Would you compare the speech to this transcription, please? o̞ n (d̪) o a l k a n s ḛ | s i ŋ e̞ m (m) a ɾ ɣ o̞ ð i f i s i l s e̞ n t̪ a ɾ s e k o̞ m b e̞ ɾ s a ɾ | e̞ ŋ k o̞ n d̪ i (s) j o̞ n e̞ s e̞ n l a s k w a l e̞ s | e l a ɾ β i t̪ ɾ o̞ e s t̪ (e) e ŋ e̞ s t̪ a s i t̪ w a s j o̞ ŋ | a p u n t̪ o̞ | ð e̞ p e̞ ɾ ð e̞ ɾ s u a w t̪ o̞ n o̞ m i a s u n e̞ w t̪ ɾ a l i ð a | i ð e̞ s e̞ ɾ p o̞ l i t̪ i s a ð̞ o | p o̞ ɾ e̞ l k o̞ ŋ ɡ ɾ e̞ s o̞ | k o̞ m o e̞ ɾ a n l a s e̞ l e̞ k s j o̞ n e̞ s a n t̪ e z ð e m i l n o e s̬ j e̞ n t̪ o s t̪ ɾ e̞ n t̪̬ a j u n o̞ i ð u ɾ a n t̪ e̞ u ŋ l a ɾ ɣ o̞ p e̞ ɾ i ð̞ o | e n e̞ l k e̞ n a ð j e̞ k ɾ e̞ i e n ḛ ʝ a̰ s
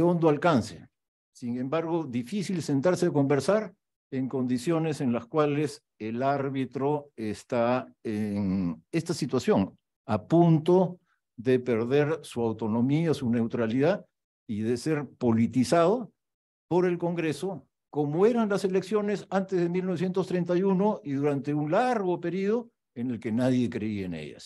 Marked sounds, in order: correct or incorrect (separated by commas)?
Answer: correct, incorrect, correct, incorrect